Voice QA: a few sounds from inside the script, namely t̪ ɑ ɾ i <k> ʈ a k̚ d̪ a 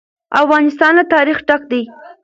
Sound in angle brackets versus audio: incorrect: x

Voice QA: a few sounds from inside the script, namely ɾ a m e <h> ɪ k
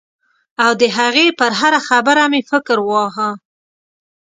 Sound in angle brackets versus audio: incorrect: f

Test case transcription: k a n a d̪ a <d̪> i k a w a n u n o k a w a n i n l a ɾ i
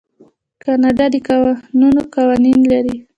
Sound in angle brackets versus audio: correct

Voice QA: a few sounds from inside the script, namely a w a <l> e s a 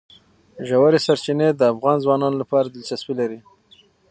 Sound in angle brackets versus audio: incorrect: ɾ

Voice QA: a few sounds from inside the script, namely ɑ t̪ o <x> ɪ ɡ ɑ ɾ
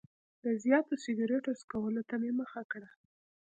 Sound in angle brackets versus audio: incorrect: s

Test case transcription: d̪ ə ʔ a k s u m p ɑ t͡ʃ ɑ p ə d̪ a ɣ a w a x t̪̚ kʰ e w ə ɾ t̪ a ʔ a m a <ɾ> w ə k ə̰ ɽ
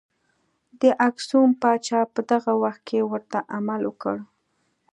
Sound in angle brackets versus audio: incorrect: l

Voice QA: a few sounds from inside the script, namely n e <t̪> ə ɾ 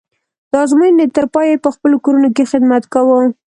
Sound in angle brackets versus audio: correct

